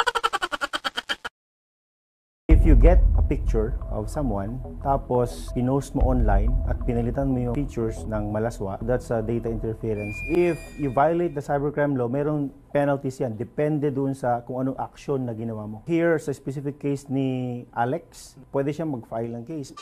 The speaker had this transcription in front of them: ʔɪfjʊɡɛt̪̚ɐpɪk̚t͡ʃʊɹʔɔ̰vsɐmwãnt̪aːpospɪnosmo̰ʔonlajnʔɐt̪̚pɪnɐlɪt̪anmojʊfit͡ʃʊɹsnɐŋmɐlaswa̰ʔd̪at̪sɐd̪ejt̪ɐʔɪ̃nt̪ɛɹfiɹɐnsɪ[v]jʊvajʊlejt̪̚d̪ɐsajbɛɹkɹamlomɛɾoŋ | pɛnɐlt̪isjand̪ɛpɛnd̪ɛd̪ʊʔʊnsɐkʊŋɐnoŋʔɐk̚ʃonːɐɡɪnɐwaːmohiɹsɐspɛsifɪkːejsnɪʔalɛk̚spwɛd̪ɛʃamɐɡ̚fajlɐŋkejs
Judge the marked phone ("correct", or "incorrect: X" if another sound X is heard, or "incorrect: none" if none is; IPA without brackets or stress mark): incorrect: f